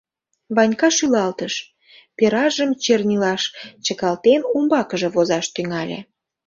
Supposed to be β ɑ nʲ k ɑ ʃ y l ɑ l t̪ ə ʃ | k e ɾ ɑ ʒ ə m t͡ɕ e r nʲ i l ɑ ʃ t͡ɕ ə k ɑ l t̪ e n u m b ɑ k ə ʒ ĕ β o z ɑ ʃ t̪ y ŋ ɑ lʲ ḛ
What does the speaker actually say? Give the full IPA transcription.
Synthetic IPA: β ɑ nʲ k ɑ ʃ y l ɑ l t̪ ə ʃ | p e ɾ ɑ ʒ ə m t͡ɕ e r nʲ i l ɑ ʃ t͡ɕ ə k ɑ l t̪ e n u m b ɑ k ə ʒ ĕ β o z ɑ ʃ t̪ y ŋ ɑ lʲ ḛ